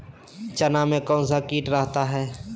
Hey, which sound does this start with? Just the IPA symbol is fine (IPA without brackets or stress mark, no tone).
t͡ʃ